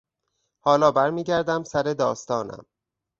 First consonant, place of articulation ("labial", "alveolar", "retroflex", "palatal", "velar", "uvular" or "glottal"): glottal